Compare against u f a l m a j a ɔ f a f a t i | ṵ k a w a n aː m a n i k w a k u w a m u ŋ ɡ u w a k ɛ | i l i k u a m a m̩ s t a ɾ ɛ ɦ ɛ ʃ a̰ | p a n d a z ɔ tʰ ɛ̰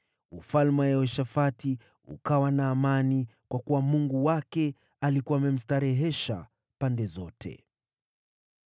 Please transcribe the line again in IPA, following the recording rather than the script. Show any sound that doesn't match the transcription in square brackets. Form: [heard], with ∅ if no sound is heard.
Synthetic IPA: u f a l m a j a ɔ [ʃ] a f a t i | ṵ k a w a n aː m a n i k w a k u w a m u ŋ ɡ u w a k ɛ | [a] l i k u a m [ɛ] m̩ s t a ɾ ɛ ɦ ɛ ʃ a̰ | p a n d [ɛ] z ɔ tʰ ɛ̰